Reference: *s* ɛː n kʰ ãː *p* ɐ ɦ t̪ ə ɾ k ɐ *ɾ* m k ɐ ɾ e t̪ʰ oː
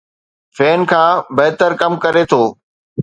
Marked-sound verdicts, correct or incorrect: incorrect: f, incorrect: b, incorrect: none

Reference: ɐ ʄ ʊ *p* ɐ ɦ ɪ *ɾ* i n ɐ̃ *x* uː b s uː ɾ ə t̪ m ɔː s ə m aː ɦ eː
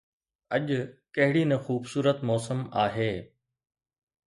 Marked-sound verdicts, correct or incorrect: incorrect: k, incorrect: ɽ, correct

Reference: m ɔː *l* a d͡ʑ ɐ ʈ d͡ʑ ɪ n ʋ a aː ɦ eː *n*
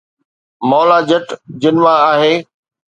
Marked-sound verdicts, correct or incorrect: correct, incorrect: none

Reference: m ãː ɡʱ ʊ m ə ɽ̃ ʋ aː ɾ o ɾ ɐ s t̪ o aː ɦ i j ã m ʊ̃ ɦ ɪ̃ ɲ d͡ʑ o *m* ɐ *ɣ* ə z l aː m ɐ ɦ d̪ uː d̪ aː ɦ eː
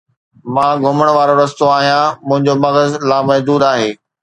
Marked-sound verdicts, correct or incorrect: correct, correct

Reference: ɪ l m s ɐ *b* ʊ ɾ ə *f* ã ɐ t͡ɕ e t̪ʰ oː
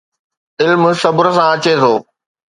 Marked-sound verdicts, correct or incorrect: correct, incorrect: s

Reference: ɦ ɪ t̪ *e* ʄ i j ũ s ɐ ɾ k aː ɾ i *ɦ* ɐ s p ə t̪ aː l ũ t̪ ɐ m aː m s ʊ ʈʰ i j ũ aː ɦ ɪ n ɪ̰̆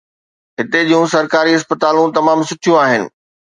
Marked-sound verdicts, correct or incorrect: correct, incorrect: none

